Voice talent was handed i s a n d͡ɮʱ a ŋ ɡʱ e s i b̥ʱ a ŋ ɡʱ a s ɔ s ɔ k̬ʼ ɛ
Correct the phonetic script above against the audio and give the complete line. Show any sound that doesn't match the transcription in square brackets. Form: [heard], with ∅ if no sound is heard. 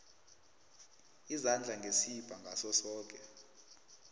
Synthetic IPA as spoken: i [z] a n d͡ɮʱ a ŋ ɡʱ e s i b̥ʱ a ŋ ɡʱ a s ɔ s [ɔː] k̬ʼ ɛ